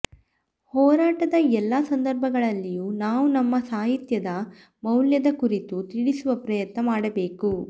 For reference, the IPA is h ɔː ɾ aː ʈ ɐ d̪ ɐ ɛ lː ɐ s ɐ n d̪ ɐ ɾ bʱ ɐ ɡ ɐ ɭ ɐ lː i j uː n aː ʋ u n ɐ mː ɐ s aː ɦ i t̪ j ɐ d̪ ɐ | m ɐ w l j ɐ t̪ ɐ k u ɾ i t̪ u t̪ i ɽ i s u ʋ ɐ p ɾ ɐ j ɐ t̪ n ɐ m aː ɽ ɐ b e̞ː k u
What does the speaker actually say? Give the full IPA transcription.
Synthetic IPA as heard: h ɔː ɾ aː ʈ ɐ d̪ ɐ ɛ lː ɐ s ɐ n d̪ ɐ ɾ bʱ ɐ ɡ ɐ ɭ ɐ lː i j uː n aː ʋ u n ɐ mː ɐ s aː ɦ i t̪ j ɐ d̪ ɐ | m ɐ w l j ɐ d̪ ɐ k u ɾ i t̪ u t̪ i ɽ i s u ʋ ɐ p ɾ ɐ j ɐ t̪ n ɐ m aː ɽ ɐ b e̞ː k u